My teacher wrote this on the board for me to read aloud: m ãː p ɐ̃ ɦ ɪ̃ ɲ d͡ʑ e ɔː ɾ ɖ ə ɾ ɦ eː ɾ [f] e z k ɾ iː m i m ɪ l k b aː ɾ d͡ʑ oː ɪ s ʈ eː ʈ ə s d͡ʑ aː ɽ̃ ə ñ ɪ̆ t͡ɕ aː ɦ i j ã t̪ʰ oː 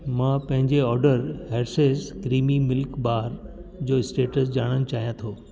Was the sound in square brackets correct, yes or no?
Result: no